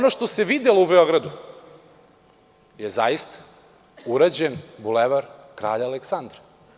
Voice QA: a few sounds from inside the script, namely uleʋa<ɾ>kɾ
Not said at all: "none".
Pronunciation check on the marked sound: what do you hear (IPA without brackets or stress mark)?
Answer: ɾ